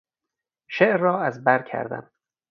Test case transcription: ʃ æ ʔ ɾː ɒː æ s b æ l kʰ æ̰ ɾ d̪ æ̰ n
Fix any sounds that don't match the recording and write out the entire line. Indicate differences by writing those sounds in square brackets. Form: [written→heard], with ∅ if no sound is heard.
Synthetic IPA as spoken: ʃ [æ→e] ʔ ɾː ɒː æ [s→z] b æ [l→ɾ] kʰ æ̰ ɾ d̪ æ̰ [n→m]